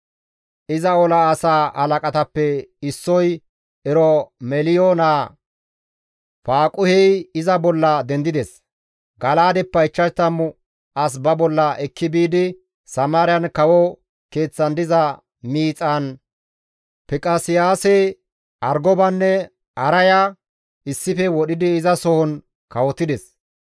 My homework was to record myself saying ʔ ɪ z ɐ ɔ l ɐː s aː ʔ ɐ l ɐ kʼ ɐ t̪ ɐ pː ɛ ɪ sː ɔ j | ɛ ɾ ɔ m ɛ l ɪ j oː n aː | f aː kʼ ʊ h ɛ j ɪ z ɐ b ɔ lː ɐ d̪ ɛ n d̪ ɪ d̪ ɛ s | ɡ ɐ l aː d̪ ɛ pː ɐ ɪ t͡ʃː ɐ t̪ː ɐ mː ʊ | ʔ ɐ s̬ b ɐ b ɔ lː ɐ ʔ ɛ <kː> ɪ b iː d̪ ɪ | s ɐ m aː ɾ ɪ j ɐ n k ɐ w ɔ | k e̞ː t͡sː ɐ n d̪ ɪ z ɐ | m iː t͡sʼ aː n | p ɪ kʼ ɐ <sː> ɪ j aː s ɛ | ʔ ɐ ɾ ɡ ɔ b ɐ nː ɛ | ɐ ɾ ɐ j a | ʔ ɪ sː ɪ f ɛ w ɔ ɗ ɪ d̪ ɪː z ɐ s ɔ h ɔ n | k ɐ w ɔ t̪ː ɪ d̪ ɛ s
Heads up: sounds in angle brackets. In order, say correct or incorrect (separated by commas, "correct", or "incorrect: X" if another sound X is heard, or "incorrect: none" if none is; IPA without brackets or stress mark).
correct, incorrect: s